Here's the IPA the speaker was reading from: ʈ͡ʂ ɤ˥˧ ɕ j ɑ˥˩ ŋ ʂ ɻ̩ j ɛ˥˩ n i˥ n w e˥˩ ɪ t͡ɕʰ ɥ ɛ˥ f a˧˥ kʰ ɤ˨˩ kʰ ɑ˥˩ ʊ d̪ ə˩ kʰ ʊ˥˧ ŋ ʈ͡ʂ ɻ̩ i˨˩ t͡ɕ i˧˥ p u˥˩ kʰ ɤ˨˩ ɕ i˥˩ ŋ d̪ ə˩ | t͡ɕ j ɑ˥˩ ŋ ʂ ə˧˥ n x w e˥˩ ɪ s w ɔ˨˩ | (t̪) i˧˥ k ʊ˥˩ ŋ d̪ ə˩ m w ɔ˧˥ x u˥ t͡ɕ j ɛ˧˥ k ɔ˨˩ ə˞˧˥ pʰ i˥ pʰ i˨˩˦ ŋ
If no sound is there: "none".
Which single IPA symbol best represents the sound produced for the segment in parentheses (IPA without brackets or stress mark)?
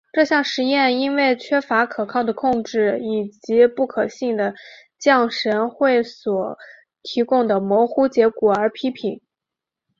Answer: t̪ʰ